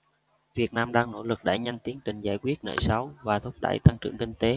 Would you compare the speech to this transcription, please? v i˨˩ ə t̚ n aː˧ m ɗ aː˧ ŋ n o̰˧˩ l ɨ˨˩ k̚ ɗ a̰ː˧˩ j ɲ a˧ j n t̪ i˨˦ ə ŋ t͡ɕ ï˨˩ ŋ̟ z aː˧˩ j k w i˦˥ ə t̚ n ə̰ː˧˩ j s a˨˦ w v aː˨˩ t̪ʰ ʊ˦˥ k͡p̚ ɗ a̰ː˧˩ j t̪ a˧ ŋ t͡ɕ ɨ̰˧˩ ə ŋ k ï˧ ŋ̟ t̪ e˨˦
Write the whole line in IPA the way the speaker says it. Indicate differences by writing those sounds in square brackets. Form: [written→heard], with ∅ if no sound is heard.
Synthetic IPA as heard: v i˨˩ ə t̚ n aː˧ m ɗ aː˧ ŋ n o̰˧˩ l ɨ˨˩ k̚ ɗ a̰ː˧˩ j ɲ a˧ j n t̪ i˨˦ ə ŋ t͡ɕ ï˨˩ ŋ̟ z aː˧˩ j k w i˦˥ ə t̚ n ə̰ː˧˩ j s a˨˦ w v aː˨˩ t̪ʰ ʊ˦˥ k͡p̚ ɗ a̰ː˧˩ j t̪ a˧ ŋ t͡ɕ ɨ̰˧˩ ə ŋ k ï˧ ŋ̟ t̪ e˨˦